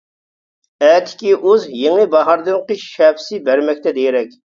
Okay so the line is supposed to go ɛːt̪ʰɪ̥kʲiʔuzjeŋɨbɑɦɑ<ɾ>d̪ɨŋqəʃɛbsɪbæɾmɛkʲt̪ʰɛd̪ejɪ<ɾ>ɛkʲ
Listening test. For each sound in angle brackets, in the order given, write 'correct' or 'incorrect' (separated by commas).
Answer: correct, correct